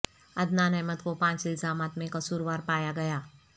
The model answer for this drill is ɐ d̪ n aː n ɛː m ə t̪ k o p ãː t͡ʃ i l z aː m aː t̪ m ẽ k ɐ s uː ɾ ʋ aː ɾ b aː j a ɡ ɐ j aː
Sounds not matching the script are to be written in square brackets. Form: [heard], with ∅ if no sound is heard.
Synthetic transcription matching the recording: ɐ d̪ n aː n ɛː m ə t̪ k o p ãː t͡ʃ [ɪ] l z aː m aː t̪ m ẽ k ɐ s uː ɾ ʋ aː ɾ [p] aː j a ɡ ɐ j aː